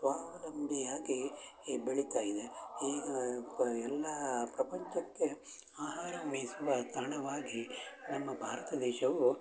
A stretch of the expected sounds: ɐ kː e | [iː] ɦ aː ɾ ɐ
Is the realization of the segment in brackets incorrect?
yes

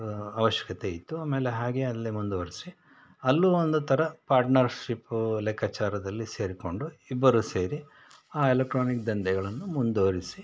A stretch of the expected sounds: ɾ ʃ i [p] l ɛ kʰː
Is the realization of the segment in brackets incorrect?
no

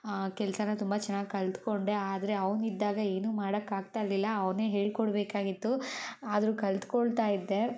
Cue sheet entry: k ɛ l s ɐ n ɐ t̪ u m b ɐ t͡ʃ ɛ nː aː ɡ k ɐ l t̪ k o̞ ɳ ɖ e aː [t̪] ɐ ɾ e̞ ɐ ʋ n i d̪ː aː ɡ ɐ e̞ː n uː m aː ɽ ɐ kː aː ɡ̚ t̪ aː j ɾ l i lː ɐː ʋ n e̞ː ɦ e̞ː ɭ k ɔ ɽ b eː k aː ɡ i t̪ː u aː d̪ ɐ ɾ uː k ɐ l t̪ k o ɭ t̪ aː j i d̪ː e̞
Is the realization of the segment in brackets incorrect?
yes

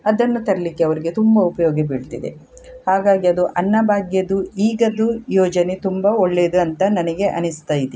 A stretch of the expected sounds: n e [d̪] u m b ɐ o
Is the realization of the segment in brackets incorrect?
yes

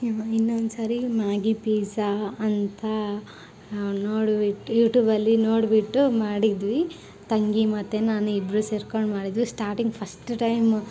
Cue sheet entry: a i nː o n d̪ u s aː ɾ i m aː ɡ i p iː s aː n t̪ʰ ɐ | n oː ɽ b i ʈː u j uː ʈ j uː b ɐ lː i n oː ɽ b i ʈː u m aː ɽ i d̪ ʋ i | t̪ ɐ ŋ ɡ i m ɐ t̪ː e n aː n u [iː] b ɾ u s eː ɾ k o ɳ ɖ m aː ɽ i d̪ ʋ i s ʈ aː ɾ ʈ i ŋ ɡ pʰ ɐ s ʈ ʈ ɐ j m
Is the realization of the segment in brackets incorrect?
yes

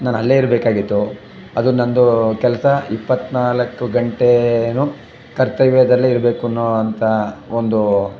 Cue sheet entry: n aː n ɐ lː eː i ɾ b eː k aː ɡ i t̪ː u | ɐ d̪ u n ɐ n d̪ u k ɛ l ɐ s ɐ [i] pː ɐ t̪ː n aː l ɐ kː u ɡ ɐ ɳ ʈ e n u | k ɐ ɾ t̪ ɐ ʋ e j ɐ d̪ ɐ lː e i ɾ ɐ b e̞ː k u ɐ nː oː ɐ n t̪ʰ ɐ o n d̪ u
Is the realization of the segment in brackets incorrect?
no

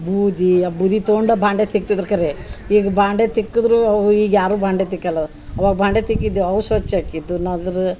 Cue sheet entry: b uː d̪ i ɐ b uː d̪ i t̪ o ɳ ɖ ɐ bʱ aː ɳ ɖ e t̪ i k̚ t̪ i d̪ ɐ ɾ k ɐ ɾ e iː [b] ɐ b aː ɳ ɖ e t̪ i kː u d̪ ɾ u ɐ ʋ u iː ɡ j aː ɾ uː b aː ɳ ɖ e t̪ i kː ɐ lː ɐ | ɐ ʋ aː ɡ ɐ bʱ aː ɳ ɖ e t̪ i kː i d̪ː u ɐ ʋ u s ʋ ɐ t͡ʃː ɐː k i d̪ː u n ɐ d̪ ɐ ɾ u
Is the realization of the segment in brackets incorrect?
yes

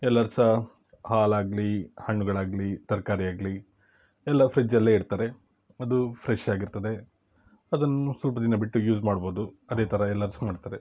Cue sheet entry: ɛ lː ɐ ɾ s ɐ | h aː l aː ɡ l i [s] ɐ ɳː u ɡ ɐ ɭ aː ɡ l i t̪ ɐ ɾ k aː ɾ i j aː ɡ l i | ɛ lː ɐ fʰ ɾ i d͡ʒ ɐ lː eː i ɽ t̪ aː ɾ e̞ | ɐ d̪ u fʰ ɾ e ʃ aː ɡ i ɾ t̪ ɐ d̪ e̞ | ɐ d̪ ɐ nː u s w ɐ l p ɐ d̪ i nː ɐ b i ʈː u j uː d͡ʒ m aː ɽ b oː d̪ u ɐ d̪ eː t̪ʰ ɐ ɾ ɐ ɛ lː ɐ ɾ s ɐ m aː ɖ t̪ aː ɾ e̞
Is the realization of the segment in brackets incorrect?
yes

